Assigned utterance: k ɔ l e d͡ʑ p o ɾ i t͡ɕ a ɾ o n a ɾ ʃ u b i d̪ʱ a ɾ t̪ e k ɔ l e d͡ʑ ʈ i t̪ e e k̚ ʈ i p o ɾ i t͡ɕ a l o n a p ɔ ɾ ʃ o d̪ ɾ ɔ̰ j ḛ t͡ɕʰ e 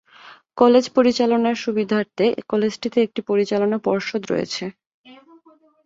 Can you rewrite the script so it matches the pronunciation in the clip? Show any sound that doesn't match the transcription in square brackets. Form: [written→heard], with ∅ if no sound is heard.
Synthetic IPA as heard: k ɔ l e d͡ʑ p o ɾ i t͡ɕ a [ɾ→l] o n a ɾ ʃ u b i d̪ʱ a ɾ t̪ e k ɔ l e d͡ʑ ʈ i t̪ e e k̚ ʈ i p o ɾ i t͡ɕ a l o n a p ɔ ɾ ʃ o d̪ ɾ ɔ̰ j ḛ t͡ɕʰ e